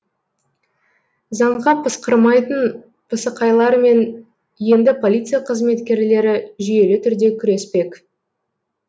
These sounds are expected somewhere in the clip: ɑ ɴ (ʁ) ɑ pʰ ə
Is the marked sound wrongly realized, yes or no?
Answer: no